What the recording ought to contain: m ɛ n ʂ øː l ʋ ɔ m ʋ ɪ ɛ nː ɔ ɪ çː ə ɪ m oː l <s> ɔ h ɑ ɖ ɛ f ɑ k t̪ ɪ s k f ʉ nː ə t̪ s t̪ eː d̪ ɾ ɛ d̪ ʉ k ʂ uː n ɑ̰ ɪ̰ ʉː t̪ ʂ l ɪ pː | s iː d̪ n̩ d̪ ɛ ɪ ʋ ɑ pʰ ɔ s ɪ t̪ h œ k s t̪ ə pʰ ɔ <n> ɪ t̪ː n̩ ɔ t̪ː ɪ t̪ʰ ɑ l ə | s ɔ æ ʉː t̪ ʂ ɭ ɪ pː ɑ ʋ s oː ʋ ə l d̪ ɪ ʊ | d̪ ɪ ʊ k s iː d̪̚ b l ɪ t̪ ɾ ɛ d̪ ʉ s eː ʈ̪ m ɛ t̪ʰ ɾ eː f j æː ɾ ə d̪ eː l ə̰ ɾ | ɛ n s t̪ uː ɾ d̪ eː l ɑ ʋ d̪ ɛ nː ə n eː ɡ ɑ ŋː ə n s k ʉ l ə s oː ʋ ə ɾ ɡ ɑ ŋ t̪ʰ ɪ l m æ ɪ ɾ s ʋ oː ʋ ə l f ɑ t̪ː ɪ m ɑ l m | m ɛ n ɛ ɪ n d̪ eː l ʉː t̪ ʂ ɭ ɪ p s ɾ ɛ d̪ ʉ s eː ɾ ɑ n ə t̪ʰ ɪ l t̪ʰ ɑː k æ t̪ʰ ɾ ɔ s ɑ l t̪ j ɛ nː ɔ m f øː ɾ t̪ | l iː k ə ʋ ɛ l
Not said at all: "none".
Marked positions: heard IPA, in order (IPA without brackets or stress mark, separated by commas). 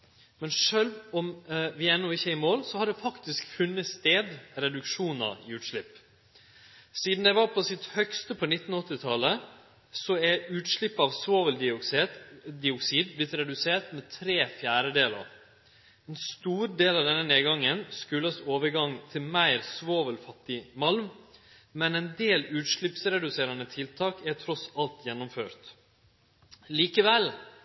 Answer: s, n